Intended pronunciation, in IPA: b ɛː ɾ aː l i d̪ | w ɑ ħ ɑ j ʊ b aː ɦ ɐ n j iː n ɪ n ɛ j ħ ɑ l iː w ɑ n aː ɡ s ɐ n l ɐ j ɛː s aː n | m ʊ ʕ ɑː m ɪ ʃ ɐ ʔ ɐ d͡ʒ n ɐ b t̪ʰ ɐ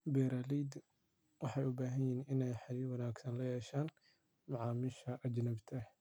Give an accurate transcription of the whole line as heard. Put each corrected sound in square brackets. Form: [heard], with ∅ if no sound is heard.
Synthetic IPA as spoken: b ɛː ɾ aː l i d̪ | w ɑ ħ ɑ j ʊ b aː ɦ ɐ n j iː n ɪ n ɛ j ħ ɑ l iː w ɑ n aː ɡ s ɐ n l ɐ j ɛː [ʃ] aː n | m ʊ ʕ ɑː m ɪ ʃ ɐ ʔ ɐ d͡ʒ n ɐ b t̪ʰ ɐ